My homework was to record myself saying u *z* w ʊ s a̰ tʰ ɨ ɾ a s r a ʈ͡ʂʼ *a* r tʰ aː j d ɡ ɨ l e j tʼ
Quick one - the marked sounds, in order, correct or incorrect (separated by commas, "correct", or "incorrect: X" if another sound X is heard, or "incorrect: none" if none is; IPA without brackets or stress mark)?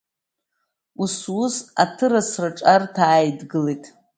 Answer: incorrect: s, correct